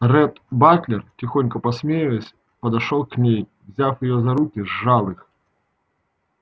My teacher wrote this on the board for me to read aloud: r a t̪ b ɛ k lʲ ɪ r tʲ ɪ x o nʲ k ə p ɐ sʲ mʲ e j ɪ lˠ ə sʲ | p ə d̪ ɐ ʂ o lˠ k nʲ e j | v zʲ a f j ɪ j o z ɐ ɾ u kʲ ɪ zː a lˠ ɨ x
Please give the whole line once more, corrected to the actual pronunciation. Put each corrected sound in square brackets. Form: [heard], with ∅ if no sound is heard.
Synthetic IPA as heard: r [ɛ] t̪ b [a] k lʲ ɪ r tʲ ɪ x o nʲ k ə p ɐ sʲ mʲ e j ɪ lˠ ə sʲ | p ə d̪ ɐ ʂ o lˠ k nʲ e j | v zʲ a f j ɪ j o z ɐ ɾ u kʲ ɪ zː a lˠ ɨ x